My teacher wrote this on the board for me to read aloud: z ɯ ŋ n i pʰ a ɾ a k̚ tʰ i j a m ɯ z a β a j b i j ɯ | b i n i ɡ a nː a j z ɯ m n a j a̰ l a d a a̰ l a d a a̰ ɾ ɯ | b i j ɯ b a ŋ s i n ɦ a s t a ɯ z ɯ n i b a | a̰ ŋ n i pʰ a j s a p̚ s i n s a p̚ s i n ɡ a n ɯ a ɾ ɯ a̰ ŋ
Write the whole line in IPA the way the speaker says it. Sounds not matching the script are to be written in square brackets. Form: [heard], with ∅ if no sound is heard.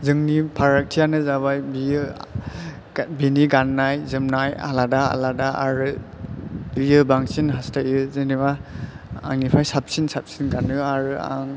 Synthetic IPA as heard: z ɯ ŋ n i pʰ a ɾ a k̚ tʰ i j a [n] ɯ z a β a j b i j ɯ | b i n i ɡ a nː a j z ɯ m n a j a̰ l a d a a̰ l a d a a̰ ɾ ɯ | b i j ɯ b a ŋ s i n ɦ a s t a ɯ z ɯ n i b a | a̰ ŋ n i pʰ a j s a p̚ s i n s a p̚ s i n ɡ a n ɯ a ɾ ɯ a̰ ŋ